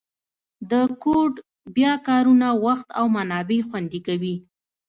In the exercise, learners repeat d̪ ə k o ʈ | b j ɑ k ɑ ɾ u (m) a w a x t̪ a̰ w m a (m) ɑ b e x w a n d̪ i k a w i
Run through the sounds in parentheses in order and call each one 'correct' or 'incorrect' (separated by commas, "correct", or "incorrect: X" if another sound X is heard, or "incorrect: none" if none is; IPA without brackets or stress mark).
incorrect: n, incorrect: n